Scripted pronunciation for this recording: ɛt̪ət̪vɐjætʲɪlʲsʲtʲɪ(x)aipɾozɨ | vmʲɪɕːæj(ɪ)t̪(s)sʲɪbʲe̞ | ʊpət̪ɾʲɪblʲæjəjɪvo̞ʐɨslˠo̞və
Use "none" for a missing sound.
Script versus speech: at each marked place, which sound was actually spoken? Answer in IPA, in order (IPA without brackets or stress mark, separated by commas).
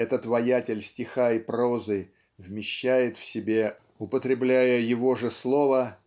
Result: x, ɪ, f